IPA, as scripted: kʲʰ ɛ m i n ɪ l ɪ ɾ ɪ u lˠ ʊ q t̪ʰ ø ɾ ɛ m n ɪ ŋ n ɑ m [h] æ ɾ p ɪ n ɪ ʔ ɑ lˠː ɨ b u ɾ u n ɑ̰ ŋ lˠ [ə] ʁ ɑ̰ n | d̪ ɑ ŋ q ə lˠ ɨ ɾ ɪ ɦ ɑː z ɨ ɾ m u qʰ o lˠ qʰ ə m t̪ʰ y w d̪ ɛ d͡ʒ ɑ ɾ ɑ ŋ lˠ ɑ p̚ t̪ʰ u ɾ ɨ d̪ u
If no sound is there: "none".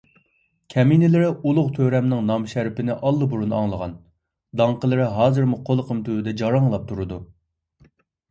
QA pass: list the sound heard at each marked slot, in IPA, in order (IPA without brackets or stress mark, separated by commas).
ʃ, ə